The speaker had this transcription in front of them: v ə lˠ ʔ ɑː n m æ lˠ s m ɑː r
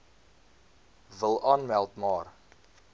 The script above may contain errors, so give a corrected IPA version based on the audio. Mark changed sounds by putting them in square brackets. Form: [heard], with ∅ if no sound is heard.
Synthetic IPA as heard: v ə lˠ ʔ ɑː n m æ lˠ [t] m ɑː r